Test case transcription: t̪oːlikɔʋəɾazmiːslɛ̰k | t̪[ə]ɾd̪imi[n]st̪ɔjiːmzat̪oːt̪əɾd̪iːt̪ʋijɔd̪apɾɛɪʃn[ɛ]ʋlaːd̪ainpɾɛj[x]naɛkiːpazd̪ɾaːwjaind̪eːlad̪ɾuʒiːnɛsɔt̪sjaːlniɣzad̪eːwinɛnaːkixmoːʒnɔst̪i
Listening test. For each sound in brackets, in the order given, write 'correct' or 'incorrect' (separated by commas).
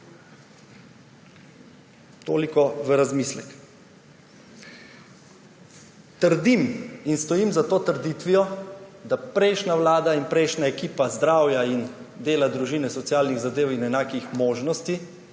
correct, correct, incorrect, incorrect